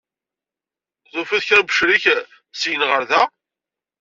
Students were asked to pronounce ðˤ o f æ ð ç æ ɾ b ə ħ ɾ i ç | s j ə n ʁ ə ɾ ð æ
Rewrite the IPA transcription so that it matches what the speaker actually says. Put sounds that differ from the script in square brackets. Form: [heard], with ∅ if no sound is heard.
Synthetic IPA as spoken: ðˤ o f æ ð ç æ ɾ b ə [ʃ] ɾ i ç | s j ə n ʁ ə ɾ ð æ